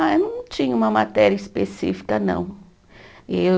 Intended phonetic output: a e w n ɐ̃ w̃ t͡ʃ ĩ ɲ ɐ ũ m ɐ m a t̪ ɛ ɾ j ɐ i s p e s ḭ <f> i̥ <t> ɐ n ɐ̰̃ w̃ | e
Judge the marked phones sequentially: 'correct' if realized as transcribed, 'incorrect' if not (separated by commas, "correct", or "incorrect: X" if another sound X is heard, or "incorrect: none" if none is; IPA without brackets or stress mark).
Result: correct, incorrect: k